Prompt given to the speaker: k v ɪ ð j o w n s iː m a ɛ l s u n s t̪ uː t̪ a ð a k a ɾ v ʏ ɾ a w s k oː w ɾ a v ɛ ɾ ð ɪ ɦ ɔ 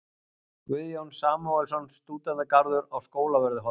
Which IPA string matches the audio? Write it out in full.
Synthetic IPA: k v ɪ ð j o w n s aː m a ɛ l s ɔ n s t̪ uː t̪ a ð a k a ɾ ð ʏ ɾ a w s k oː w l a v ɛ ɾ ð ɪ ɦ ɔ